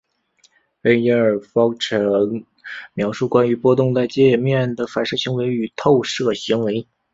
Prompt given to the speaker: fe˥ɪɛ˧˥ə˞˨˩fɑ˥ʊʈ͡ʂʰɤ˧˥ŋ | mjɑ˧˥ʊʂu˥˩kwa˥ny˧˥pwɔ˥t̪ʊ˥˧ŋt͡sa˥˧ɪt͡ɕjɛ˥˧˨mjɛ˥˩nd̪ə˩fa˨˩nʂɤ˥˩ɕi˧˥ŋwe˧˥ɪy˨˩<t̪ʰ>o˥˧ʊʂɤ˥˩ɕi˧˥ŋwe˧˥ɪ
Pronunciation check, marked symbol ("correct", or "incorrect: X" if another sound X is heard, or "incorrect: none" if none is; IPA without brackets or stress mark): correct